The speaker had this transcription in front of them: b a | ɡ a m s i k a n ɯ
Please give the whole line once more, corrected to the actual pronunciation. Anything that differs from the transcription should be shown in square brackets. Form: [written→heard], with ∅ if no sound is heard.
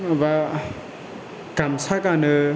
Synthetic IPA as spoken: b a | [ɡ→k] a m s [i→a] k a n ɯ